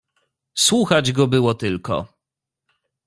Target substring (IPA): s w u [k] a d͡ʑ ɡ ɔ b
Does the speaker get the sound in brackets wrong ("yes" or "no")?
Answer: yes